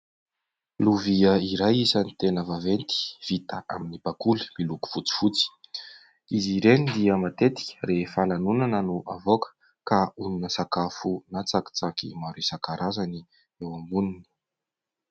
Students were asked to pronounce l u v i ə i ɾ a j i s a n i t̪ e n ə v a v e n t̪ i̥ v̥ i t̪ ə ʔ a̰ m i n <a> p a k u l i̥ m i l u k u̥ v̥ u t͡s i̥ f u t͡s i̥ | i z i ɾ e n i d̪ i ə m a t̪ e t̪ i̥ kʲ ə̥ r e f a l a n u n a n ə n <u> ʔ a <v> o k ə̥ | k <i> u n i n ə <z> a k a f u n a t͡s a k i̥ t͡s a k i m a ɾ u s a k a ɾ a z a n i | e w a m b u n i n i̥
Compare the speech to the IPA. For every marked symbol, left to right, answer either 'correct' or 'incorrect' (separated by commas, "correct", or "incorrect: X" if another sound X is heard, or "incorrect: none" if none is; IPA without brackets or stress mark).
incorrect: i, correct, correct, incorrect: a, incorrect: s